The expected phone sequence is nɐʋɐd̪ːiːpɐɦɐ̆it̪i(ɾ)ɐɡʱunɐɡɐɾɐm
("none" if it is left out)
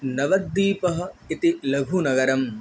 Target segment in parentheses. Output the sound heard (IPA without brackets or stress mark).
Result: l